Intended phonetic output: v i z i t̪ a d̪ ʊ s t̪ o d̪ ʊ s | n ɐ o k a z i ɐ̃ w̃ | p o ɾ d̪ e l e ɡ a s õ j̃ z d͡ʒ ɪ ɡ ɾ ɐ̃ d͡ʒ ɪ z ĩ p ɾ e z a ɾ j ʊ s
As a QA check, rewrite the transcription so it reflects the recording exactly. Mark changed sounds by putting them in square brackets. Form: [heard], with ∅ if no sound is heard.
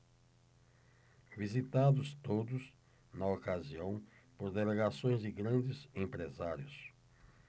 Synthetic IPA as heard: v i z i t̪ a d̪ ʊ s t̪ o d̪ ʊ s | n ɐ o k a z i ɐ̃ w̃ | p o ɾ d̪ e l e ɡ a s õ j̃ z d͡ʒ ɪ ɡ ɾ ɐ̃ d͡ʒ ɪ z [ẽ] p ɾ e z a ɾ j ʊ s